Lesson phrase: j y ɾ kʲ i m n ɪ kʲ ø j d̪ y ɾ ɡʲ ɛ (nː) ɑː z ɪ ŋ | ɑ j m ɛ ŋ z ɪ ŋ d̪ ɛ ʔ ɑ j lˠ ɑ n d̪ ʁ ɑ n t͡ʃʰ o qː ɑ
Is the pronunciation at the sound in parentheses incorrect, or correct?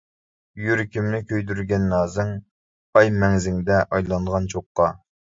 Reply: correct